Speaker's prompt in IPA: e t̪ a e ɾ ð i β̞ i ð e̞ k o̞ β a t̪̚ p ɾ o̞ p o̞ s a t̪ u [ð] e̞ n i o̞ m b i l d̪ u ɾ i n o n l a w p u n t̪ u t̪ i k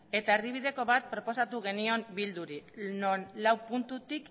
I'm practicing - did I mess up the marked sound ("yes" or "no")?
yes